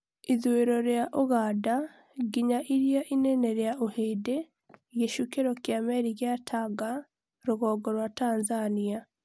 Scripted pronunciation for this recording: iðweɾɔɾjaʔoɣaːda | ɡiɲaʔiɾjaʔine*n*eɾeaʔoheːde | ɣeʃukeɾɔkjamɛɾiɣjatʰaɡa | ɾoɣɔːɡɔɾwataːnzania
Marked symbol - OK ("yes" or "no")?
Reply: yes